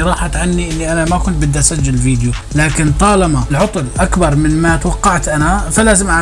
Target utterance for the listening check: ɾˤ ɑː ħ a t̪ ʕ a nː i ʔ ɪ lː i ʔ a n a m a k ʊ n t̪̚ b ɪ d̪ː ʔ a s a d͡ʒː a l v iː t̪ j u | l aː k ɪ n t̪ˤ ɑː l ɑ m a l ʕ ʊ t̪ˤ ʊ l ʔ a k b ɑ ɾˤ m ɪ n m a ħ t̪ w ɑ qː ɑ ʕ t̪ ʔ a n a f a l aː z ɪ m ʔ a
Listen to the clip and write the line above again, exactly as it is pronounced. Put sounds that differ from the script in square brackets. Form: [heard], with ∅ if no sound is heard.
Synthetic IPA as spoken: ɾˤ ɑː ħ a t̪ ʕ a nː i ʔ ɪ lː i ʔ a n a m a k ʊ n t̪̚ b ɪ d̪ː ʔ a s a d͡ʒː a l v iː [d̪] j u | l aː k ɪ n t̪ˤ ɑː l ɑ m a l ʕ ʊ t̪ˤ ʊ l ʔ a k b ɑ ɾˤ m ɪ n m a [∅] t̪ w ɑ qː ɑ ʕ t̪ ʔ a n a f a l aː z ɪ m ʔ a